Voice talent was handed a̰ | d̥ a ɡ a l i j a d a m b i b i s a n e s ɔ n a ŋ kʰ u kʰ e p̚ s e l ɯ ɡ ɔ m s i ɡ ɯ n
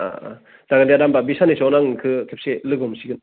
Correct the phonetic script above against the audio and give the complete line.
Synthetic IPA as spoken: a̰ | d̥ a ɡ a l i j a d a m b a b i s a n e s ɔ n a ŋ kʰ ɯ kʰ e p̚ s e l ɯ ɡ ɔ m s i ɡ ɯ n